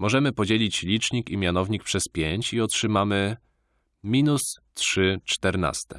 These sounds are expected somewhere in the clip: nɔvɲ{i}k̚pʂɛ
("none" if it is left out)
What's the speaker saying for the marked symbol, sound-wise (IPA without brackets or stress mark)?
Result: i